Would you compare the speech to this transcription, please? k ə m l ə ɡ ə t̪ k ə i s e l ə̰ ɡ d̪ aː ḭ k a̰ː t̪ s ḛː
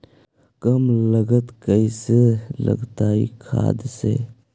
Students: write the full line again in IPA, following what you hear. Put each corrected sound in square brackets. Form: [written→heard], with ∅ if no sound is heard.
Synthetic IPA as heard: k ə m l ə ɡ ə t̪ k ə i s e l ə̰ ɡ [d̪→t̪] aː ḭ [k→kʰ] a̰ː [t̪→d̪] s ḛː